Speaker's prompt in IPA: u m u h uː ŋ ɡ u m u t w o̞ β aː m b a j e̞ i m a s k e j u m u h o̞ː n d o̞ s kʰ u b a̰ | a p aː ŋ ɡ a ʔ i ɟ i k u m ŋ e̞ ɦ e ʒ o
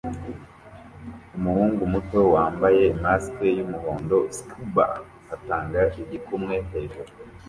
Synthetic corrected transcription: u m u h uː ŋ ɡ u m u t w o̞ w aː m b a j e̞ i m a s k e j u m u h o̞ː n d o̞ s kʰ u b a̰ | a t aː ŋ ɡ a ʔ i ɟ i k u m ŋ e̞ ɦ e ʒ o